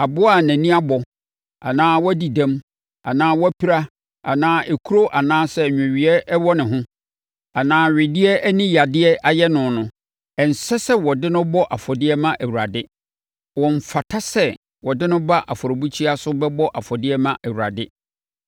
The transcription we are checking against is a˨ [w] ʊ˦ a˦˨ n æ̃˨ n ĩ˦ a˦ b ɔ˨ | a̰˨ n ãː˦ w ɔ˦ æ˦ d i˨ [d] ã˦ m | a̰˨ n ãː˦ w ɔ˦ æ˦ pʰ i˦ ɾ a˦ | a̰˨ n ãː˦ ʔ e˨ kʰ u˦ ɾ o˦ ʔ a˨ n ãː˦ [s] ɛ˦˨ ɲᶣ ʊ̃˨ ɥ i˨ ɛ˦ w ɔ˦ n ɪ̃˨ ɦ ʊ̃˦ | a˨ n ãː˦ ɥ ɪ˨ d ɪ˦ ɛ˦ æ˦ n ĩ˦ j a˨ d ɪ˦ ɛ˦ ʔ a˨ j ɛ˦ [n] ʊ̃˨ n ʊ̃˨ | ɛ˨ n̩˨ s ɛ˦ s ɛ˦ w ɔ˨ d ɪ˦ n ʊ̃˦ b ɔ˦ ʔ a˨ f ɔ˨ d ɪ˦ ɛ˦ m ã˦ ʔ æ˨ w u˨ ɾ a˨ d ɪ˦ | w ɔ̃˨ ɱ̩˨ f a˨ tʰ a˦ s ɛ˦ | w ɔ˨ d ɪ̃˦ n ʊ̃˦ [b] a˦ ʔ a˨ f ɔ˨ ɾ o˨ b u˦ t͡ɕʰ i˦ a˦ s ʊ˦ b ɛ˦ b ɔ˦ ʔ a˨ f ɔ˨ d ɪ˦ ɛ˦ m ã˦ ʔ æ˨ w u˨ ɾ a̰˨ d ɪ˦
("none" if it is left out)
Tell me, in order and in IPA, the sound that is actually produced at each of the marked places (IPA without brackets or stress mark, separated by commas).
b, d, s, n, b